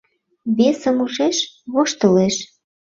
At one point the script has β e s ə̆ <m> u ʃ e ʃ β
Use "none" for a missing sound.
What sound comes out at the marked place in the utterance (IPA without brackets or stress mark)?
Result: m